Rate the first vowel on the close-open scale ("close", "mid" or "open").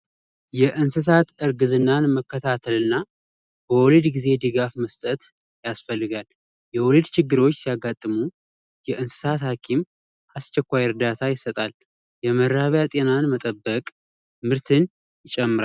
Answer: mid